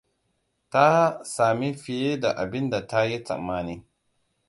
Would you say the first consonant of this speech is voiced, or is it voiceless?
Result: voiceless